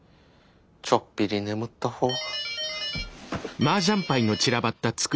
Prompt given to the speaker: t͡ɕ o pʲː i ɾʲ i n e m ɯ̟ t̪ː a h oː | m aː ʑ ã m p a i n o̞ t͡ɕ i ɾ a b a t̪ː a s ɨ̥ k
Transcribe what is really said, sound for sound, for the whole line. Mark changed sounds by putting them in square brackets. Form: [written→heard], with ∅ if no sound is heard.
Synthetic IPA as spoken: t͡ɕ o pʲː i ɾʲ i n e m ɯ̟ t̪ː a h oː | m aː ʑ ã m p a i n o̞ t͡ɕ i ɾ a b a t̪ː a [s→t͡s] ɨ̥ k